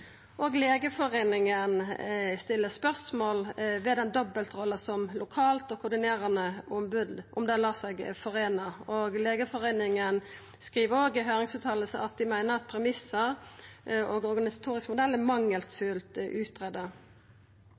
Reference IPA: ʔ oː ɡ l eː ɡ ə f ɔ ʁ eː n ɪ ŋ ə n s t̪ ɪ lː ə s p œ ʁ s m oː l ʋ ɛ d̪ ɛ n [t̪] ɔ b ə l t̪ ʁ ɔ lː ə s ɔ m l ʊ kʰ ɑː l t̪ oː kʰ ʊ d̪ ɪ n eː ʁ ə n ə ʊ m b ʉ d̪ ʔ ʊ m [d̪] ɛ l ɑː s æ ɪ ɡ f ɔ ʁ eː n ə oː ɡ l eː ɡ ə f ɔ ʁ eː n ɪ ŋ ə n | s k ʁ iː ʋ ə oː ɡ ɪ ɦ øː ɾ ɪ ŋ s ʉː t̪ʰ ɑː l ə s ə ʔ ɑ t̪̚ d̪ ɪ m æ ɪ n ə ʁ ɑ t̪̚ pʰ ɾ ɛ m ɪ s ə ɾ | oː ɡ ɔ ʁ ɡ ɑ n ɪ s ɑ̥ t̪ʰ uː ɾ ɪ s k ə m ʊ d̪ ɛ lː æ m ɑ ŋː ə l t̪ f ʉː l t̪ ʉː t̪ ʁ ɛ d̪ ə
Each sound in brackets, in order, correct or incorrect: incorrect: d̪, correct

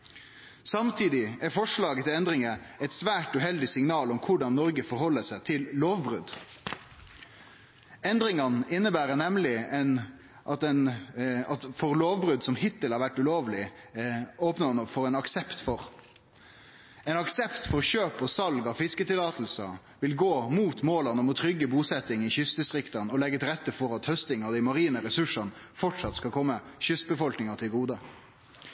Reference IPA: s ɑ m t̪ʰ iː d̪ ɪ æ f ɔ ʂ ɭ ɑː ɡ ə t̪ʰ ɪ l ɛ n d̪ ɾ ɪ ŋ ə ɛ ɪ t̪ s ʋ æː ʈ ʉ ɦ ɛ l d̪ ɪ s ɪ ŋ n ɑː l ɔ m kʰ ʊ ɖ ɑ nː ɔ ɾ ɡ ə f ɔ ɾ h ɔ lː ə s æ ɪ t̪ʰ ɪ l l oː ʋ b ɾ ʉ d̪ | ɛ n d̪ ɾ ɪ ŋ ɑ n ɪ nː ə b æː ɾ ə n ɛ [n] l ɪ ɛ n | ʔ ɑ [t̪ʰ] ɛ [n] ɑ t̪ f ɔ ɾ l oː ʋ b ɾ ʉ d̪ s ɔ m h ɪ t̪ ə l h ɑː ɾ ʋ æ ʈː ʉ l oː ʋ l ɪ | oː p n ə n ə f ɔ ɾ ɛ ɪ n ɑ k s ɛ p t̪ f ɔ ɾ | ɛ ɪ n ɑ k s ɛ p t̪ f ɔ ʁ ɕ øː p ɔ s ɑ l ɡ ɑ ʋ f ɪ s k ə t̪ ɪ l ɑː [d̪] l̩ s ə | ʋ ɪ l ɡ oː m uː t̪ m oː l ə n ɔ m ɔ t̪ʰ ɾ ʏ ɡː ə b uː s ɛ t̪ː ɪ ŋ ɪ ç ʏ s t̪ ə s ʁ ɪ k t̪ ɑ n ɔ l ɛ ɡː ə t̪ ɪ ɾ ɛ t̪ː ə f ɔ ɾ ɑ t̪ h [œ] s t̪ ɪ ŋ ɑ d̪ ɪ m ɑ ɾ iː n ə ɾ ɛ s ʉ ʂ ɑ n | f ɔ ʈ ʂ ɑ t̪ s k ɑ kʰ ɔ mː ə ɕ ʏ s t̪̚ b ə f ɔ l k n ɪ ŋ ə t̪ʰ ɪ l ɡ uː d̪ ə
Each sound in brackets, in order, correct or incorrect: incorrect: m, incorrect: t̪, correct, incorrect: t̪, correct

